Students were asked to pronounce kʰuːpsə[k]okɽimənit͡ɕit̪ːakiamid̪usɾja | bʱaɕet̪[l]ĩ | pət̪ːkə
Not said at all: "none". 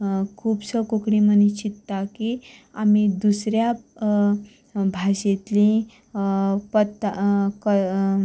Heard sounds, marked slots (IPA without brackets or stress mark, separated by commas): k, l